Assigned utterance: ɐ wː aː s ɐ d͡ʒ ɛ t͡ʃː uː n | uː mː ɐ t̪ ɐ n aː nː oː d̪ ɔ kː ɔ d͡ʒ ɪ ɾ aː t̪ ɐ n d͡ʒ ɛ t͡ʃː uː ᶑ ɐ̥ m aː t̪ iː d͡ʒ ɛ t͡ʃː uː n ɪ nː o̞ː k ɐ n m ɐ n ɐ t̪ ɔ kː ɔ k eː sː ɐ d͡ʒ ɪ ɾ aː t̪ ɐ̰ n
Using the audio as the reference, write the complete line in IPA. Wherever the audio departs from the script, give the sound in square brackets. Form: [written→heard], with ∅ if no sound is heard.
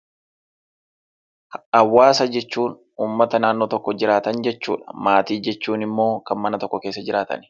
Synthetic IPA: ɐ wː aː s ɐ d͡ʒ ɛ t͡ʃː uː n | uː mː ɐ t̪ ɐ n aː nː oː [d̪→t̪] ɔ kː ɔ d͡ʒ ɪ ɾ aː t̪ ɐ n d͡ʒ ɛ t͡ʃː uː ᶑ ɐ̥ m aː t̪ iː d͡ʒ ɛ t͡ʃː uː n ɪ [nː→mː] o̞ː k ɐ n m ɐ n ɐ t̪ ɔ kː ɔ k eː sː ɐ d͡ʒ ɪ ɾ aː t̪ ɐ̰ n